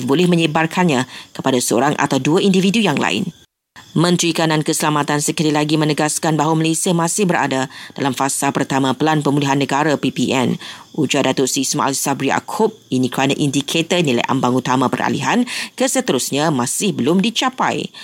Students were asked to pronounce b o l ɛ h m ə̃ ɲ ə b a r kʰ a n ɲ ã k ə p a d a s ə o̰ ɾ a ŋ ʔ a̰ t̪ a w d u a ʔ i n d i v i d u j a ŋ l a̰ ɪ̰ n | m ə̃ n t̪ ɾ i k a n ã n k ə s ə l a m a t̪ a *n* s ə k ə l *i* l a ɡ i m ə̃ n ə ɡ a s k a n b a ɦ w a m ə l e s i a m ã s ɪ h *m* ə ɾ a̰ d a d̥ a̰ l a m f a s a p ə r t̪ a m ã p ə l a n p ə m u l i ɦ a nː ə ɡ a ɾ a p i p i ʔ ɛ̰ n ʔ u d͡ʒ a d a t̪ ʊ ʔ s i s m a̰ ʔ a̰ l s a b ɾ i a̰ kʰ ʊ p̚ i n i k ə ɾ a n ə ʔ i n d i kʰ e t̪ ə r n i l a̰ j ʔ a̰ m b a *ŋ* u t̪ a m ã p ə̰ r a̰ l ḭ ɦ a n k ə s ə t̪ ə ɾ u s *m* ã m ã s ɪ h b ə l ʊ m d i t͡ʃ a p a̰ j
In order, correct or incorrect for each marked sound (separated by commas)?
correct, correct, incorrect, correct, incorrect